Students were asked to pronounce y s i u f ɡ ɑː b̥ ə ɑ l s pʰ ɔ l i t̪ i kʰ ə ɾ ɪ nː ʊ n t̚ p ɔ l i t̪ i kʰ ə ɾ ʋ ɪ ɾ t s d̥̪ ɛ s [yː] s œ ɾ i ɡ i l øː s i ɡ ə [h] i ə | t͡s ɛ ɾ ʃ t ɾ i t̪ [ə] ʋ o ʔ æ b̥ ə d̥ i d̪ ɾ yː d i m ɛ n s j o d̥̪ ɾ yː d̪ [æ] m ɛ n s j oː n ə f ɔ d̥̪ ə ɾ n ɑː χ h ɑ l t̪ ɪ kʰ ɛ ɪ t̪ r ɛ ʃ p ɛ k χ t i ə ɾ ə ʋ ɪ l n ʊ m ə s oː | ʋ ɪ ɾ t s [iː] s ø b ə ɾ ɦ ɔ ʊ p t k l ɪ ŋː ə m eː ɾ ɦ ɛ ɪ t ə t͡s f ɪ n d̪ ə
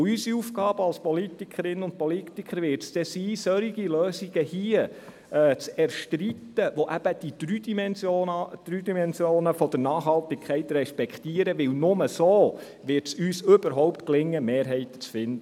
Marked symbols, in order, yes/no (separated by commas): no, yes, yes, no, no